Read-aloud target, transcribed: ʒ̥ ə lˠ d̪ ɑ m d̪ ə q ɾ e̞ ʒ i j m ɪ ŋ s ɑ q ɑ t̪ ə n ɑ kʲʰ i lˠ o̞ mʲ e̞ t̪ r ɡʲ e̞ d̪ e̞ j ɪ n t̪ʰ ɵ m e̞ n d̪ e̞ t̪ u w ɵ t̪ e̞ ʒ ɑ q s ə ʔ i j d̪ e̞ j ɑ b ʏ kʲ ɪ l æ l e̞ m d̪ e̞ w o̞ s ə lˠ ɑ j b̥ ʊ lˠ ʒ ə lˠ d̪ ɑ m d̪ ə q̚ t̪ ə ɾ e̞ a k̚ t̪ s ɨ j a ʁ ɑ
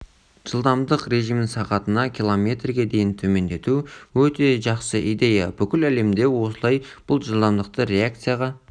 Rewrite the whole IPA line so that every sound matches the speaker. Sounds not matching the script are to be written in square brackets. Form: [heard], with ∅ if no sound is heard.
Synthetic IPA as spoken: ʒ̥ ə lˠ d̪ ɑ m d̪ ə q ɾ e̞ ʒ i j m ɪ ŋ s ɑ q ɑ t̪ ə n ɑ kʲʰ i lˠ o̞ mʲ e̞ t̪ r ɡʲ e̞ d̪ e̞ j ɪ n t̪ʰ ɵ m e̞ n d̪ e̞ t̪ u w ɵ t̪ e̞ ʒ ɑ q s ə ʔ i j d̪ e̞ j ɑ b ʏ kʲ ɪ l æ l e̞ m d̪ e̞ w o̞ s ə lˠ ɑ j b̥ ʊ lˠ ʒ ə lˠ d̪ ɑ m d̪ ə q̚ t̪ ə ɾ e̞ a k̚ t̪ s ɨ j a ʁ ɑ